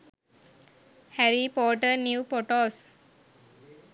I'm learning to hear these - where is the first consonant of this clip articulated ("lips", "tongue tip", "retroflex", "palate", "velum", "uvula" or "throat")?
throat